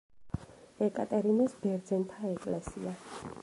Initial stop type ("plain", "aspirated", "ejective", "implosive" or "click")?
ejective